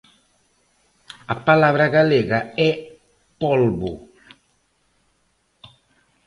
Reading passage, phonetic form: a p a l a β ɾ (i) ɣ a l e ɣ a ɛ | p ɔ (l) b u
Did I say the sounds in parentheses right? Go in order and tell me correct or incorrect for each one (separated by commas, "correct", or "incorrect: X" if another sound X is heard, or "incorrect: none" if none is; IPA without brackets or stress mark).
incorrect: a, correct